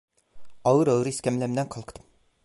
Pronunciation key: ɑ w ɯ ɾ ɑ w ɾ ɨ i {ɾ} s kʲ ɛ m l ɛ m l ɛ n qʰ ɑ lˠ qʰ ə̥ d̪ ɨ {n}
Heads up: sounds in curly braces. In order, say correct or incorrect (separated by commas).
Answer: incorrect, incorrect